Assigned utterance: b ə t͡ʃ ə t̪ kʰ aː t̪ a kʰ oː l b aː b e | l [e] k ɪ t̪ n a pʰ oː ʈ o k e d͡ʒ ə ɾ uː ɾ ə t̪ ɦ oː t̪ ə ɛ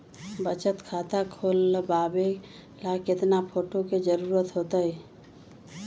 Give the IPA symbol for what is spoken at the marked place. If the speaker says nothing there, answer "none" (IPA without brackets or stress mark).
a